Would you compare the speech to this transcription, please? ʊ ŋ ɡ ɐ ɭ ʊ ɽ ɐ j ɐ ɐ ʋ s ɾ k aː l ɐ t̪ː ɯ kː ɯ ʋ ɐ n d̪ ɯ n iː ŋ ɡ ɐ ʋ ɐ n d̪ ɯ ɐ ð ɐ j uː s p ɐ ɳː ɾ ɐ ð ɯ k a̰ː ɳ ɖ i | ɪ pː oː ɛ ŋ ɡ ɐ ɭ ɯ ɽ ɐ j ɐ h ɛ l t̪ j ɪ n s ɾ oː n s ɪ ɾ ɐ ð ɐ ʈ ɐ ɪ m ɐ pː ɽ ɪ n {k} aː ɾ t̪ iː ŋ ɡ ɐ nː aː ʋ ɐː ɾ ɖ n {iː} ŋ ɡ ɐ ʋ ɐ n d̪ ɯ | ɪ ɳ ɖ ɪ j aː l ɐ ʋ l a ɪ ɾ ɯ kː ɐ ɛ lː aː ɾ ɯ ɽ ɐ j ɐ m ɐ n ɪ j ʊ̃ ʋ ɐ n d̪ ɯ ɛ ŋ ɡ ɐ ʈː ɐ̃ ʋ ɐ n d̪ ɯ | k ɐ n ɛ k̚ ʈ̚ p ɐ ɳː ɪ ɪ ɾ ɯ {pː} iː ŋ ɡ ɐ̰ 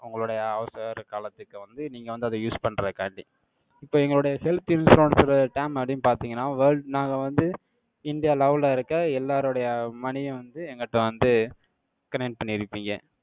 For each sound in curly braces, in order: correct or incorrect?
incorrect: p, incorrect: aː, correct

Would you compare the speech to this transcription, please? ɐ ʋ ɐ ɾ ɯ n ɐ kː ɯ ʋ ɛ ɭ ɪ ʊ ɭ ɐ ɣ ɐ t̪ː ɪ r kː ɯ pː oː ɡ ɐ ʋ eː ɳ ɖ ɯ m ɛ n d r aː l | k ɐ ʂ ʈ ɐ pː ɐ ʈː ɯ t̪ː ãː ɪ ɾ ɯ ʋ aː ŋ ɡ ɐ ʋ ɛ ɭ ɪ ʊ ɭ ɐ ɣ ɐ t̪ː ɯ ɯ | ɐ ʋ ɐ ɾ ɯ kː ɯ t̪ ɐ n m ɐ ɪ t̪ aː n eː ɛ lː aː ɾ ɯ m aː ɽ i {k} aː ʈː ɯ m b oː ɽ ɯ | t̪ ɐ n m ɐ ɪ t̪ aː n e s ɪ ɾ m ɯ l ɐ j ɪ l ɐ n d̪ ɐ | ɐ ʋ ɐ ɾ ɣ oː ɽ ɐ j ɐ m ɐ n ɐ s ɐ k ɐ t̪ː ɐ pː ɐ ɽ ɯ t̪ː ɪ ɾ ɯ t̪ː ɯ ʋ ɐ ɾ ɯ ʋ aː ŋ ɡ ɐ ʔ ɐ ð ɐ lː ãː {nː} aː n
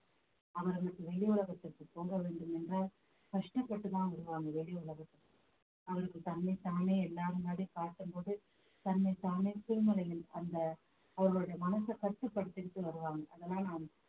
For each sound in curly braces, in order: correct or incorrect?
correct, incorrect: n

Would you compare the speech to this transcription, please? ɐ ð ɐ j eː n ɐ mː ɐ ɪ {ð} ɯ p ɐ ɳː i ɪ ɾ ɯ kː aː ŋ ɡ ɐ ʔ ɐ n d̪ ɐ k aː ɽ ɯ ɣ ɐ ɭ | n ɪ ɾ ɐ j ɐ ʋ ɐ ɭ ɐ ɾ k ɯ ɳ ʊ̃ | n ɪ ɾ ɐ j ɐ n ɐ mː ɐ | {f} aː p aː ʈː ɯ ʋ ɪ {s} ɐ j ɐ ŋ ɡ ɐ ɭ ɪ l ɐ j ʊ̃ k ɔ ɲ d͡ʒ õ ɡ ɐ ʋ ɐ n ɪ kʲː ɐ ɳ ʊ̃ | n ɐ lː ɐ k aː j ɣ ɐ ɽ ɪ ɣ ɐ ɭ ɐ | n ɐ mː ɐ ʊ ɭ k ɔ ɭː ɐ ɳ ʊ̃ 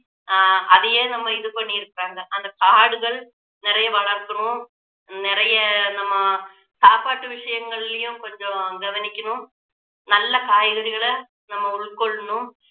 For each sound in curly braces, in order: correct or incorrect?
correct, incorrect: s, incorrect: ʂ

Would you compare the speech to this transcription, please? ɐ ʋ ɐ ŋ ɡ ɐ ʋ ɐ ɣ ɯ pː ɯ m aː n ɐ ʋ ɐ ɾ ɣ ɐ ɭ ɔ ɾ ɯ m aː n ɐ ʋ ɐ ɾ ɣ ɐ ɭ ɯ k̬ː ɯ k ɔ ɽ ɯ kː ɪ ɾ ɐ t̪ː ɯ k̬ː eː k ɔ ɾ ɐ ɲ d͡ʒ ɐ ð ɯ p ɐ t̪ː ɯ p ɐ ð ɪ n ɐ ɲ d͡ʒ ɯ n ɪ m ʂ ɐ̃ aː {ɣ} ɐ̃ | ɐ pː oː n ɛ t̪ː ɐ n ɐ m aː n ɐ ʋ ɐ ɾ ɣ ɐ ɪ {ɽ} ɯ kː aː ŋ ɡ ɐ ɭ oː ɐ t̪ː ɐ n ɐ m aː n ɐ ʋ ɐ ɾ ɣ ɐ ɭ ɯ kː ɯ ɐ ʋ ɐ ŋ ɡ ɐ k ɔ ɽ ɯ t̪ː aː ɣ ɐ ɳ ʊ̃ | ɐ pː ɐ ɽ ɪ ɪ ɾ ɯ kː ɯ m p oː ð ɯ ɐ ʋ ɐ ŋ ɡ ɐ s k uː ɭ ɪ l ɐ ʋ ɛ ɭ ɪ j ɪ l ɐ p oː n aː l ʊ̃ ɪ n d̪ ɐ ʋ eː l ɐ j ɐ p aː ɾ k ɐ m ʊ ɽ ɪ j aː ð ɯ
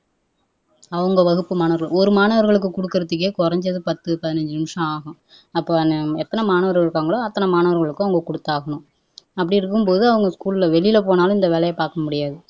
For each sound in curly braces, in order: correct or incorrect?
correct, incorrect: ɾ

